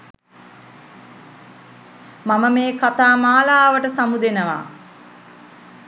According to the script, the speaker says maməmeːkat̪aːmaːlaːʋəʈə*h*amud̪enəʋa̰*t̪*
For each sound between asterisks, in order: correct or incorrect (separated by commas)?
incorrect, incorrect